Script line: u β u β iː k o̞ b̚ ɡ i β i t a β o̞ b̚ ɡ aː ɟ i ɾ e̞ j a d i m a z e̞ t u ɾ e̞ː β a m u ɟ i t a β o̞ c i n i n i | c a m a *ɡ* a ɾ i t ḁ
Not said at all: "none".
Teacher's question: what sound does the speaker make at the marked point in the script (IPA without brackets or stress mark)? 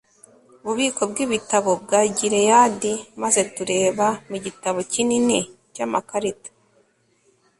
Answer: k